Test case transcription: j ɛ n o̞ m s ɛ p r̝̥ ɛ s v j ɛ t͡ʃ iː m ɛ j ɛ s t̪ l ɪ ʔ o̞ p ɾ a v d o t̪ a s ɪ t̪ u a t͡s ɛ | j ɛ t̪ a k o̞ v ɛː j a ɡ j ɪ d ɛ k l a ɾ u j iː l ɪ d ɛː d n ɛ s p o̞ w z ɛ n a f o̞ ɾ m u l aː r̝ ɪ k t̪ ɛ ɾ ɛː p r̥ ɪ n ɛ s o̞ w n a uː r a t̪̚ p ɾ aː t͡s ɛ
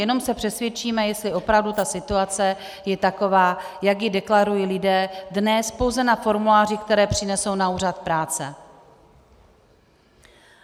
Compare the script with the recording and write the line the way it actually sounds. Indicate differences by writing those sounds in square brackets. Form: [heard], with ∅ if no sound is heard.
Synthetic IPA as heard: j ɛ n o̞ m s ɛ p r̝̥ ɛ s v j ɛ t͡ʃ iː m ɛ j ɛ s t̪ l ɪ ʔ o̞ p ɾ a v d [u] t̪ a s ɪ t̪ u a t͡s ɛ | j ɛ t̪ a k o̞ v [aː] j a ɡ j ɪ d ɛ k l a ɾ u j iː l ɪ d ɛː d n ɛ s p o̞ w z ɛ n a f o̞ ɾ m u l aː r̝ ɪ k t̪ ɛ ɾ ɛː p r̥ ɪ n ɛ s o̞ w n a uː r a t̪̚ p ɾ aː t͡s ɛ

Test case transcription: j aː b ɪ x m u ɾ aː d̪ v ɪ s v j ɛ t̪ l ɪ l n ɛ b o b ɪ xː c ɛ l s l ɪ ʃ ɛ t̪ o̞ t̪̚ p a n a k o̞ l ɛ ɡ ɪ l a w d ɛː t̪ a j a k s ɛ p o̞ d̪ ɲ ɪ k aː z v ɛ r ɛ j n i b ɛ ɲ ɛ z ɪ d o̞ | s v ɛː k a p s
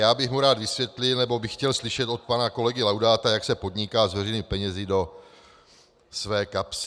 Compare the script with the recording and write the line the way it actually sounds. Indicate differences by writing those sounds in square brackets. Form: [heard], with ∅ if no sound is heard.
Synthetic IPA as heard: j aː b ɪ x m u ɾ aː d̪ v ɪ s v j ɛ t̪ l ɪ l n ɛ b o b ɪ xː c ɛ l s l ɪ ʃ ɛ t̪ o̞ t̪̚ p a n a k o̞ l ɛ ɡ ɪ l a w d [aː] t̪ a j a k s ɛ p o̞ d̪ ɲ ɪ k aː z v ɛ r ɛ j n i [p] ɛ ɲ ɛ z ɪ d o̞ | s v ɛː k a p s

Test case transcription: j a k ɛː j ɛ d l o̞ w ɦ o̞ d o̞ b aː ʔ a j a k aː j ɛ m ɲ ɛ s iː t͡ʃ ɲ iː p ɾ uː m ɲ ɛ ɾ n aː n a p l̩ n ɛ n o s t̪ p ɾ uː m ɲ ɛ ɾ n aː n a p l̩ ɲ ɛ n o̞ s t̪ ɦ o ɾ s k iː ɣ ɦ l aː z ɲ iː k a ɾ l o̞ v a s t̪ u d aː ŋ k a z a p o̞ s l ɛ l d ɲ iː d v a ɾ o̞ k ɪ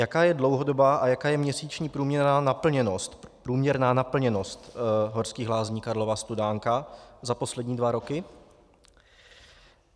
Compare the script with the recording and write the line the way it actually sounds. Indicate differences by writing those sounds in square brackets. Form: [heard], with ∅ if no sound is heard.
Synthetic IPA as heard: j a k [aː] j ɛ d l o̞ w ɦ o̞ d o̞ b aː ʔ a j a k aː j ɛ m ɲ ɛ s iː t͡ʃ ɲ iː p ɾ uː m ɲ ɛ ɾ n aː n a p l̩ [ɲ] ɛ n o s t̪ p ɾ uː m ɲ ɛ ɾ n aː n a p l̩ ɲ ɛ n o̞ s t̪ ɦ o ɾ s k iː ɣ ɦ l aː z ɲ iː k a ɾ l o̞ v a s t̪ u d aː ŋ k a z a p o̞ s l ɛ [∅] d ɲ iː d v a ɾ o̞ k ɪ

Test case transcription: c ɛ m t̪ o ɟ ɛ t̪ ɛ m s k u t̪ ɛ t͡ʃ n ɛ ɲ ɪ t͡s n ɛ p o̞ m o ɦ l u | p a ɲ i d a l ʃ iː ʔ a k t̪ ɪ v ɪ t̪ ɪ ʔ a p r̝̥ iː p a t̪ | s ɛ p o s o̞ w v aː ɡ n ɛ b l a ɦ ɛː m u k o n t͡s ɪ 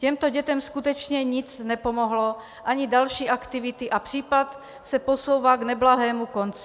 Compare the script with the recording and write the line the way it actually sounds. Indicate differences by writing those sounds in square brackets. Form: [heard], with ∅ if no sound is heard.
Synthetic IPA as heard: c ɛ m t̪ o ɟ ɛ t̪ ɛ m s k u t̪ ɛ t͡ʃ [ɲ] ɛ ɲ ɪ t͡s n ɛ p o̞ m o ɦ l [o] | [ʔ] a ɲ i d a l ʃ iː ʔ a k t̪ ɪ v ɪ t̪ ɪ ʔ a p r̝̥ iː p a t̪ | s ɛ p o s o̞ w v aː ɡ n ɛ b l a ɦ ɛː m u k o n t͡s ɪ

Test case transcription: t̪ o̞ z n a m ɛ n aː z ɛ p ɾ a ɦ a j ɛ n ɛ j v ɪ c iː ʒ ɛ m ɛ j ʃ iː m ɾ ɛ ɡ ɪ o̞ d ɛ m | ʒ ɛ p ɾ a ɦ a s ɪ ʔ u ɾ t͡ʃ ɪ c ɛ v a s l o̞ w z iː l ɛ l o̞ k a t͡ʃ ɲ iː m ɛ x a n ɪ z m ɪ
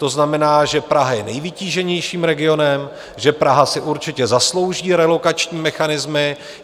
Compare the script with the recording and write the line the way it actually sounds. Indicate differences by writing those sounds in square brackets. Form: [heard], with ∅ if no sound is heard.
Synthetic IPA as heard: t̪ o̞ z n a m ɛ n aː [ʒ] ɛ p ɾ a ɦ a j ɛ n ɛ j v ɪ c iː ʒ ɛ [ɲ] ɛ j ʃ iː m ɾ ɛ ɡ ɪ o̞ [n] ɛ m | ʒ ɛ p ɾ a ɦ a s ɪ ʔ u ɾ t͡ʃ ɪ c ɛ [z] a s l o̞ w [ʒ] iː [ɾ] ɛ l o̞ k a t͡ʃ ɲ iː m ɛ x a n ɪ z m ɪ

